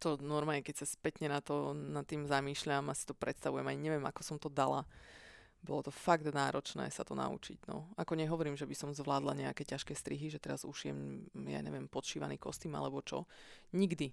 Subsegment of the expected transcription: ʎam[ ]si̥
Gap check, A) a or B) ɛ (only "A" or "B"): A